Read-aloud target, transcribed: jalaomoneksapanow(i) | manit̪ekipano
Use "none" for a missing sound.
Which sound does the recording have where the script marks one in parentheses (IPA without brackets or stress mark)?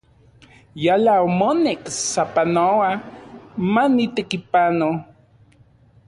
a